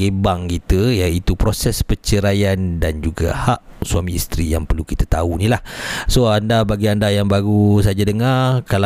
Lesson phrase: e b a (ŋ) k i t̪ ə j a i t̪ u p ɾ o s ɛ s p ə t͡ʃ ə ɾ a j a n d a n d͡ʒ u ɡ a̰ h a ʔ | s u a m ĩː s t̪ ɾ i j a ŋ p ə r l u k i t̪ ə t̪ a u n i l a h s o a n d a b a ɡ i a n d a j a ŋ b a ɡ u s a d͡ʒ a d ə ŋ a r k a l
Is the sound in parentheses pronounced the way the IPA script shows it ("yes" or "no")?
yes